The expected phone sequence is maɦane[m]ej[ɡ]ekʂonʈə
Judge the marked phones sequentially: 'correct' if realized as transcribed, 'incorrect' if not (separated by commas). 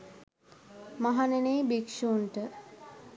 incorrect, incorrect